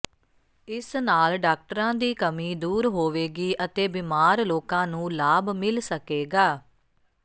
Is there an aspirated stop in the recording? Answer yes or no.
no